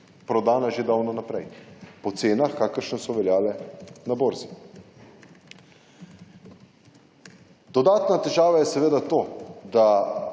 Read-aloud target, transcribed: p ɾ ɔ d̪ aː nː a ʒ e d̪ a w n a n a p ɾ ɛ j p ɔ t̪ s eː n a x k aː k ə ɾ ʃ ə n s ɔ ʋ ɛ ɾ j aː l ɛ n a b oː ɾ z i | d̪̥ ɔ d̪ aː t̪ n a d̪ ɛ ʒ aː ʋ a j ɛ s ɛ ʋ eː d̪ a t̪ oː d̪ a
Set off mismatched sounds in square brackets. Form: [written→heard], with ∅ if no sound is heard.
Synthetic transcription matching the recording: p ɾ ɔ d̪ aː [nː→n] a ʒ e d̪ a w n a n a p ɾ ɛ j p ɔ t̪ s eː n a x k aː k ə ɾ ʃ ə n s ɔ ʋ ɛ [ɾ→l] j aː l ɛ n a b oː ɾ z i | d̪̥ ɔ d̪ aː t̪ n a [d̪→t̪] ɛ ʒ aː ʋ a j ɛ s ɛ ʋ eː d̪ a t̪ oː d̪ a